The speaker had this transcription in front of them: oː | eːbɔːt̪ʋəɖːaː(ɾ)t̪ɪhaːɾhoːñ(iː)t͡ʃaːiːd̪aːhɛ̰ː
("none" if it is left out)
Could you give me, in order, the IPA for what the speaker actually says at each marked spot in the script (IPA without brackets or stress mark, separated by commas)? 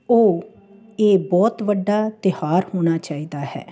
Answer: none, aː